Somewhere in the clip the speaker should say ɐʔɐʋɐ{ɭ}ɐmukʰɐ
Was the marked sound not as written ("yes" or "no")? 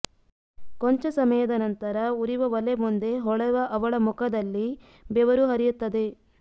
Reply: no